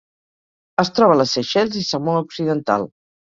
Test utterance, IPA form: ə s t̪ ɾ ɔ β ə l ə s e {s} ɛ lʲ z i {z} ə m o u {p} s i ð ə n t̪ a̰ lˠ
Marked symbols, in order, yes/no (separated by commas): no, no, no